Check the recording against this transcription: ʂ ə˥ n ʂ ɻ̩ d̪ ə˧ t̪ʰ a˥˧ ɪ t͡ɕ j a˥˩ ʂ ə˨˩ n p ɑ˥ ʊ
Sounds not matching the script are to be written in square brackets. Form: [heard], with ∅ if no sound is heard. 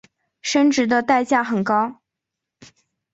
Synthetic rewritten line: ʂ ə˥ n [ʈ͡ʂ] ɻ̩ d̪ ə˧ [t̪] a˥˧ ɪ t͡ɕ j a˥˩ [x] ə˨˩ n [k] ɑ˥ ʊ